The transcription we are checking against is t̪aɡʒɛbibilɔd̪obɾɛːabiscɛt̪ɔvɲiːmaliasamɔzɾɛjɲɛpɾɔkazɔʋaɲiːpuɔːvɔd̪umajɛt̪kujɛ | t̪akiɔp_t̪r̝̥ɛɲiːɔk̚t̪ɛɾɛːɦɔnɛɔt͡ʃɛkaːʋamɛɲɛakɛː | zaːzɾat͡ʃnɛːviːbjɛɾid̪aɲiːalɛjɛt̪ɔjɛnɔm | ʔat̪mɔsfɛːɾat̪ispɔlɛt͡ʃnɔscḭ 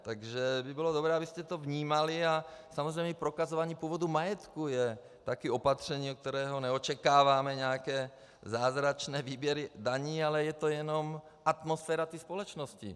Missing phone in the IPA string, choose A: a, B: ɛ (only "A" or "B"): A